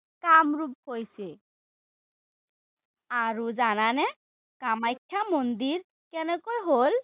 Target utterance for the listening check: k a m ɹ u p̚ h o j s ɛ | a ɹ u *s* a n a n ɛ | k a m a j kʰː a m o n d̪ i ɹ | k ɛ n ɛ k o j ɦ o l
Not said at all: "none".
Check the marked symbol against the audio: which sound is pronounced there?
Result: z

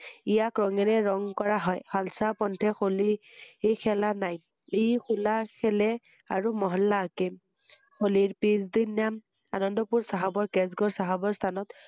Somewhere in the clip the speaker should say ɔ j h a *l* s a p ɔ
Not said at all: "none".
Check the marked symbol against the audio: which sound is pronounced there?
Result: l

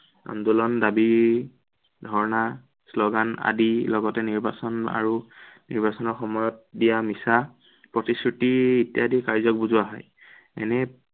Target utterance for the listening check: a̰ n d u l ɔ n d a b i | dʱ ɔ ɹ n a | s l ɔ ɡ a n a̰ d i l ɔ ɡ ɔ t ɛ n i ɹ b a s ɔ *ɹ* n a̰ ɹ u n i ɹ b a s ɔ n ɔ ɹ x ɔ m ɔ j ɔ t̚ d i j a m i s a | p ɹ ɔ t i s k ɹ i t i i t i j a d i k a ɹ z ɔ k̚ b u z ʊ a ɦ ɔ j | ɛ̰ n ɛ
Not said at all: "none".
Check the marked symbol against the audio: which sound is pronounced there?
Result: none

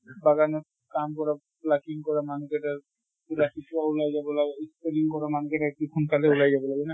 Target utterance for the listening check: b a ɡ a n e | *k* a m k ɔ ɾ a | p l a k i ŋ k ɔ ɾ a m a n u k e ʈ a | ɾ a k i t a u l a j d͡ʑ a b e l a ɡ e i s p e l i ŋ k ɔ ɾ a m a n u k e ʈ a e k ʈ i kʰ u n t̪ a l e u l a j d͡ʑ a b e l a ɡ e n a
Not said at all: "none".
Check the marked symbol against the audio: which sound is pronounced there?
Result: k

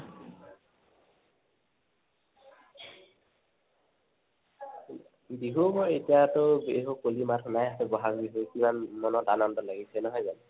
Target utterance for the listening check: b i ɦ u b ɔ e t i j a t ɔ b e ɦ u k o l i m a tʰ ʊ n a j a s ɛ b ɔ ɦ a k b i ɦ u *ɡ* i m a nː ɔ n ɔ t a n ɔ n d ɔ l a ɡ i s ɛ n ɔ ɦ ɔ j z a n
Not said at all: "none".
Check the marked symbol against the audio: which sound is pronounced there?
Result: k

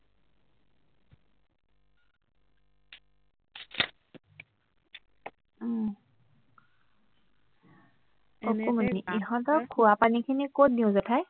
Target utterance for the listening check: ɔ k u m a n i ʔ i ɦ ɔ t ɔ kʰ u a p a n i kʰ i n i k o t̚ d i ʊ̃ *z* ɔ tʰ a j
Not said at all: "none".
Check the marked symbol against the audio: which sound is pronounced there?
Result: z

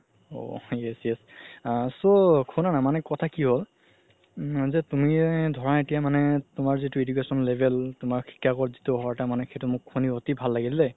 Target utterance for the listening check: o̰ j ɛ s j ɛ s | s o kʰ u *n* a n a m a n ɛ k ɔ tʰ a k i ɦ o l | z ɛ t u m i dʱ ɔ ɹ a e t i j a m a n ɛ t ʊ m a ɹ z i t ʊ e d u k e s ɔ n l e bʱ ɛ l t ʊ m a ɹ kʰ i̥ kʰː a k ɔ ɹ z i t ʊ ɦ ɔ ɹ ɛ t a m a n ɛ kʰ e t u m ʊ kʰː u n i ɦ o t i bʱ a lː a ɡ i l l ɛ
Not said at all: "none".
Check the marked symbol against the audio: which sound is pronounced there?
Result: n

